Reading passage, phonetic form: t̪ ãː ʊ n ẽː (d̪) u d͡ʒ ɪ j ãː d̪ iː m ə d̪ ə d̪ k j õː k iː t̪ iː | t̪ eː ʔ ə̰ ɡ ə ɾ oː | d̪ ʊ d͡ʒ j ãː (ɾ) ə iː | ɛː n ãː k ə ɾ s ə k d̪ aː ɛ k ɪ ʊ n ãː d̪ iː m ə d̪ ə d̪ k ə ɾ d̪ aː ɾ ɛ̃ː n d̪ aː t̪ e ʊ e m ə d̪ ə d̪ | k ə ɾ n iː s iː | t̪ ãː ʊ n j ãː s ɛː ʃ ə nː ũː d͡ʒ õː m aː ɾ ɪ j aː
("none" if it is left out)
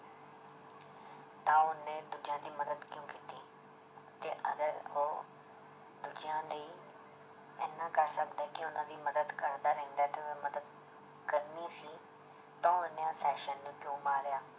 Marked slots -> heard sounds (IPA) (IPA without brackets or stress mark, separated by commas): d̪, l